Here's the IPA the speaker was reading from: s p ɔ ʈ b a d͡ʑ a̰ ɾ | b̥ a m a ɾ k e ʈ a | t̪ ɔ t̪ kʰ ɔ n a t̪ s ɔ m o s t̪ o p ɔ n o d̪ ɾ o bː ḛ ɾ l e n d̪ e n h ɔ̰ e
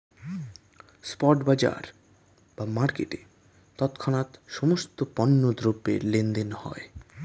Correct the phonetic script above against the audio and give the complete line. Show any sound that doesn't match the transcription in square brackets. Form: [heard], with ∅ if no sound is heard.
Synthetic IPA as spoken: s p ɔ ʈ b a d͡ʑ a̰ ɾ | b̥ a m a ɾ k e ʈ [e] | t̪ ɔ t̪ kʰ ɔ n a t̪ [ʃ] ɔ m o s t̪ o p ɔ [nː] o d̪ ɾ o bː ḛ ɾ l e n d̪ e n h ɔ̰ e